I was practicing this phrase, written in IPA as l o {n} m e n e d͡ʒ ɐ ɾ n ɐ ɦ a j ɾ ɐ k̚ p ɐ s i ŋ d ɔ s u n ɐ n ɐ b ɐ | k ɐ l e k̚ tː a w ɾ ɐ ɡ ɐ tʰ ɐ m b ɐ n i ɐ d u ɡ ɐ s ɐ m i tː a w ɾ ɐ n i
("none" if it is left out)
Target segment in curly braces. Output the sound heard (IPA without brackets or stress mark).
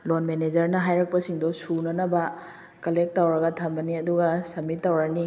n